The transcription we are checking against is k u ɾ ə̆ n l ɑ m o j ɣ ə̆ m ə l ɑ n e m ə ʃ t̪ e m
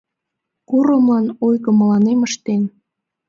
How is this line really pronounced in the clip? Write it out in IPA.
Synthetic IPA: k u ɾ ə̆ m l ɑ n o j ɣ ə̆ m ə l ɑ n e m ə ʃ t̪ e n